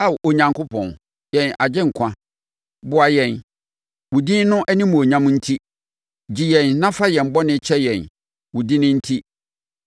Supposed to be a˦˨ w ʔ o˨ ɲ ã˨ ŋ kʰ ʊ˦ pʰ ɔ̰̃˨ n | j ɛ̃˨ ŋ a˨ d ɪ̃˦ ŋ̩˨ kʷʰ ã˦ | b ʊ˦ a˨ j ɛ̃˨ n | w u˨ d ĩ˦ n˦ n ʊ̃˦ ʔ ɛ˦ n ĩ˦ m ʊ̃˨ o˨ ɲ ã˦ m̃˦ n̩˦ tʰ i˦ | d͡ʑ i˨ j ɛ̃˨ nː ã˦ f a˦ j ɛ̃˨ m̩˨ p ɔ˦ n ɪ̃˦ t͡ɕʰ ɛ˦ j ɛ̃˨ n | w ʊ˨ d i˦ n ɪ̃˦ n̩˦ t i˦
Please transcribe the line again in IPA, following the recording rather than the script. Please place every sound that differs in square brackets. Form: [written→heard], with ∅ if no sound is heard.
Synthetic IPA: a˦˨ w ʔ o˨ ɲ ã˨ ŋ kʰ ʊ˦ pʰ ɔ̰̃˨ n | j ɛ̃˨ [ŋ→n] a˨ [d→d͡ʑ] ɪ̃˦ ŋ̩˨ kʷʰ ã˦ | b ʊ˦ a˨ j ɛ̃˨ n | w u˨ d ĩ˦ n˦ n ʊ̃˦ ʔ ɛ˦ n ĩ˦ m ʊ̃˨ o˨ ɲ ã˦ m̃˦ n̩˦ tʰ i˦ | d͡ʑ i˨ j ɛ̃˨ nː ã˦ f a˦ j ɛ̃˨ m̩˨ [p→b] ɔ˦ n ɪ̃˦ t͡ɕʰ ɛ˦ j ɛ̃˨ n | w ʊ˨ d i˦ n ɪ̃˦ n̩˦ [t→tʰ] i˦